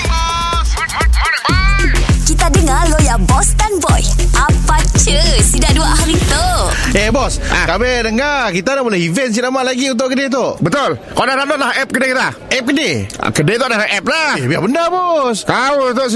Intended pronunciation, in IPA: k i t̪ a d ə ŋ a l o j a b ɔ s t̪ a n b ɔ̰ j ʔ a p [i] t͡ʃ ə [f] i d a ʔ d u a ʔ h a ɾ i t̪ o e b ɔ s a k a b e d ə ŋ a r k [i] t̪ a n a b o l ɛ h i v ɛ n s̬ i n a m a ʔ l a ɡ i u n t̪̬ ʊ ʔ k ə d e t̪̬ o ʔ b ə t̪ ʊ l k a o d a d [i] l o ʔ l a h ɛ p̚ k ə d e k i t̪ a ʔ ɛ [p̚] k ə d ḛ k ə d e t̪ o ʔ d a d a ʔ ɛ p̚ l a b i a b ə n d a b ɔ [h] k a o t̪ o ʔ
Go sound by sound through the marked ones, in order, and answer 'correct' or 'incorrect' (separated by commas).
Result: incorrect, incorrect, correct, incorrect, correct, incorrect